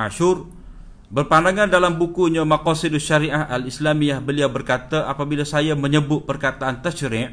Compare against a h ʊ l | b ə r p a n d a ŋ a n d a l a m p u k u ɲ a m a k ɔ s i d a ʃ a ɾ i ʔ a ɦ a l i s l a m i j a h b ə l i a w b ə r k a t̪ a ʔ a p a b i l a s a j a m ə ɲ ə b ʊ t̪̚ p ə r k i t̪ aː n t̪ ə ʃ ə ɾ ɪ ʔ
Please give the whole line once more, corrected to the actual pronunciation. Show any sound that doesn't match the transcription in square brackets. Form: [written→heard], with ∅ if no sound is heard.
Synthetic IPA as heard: a [h→ʃ] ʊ [l→r] | b ə r p a n d a ŋ a n d a l a m [p→b] u k u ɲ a m a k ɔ s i d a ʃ a ɾ i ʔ a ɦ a l i s l a m i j a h b ə l i a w b ə r k a t̪ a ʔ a p a b i l a s a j a m ə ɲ ə b ʊ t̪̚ p ə r k [i→a] t̪ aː n t̪ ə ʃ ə ɾ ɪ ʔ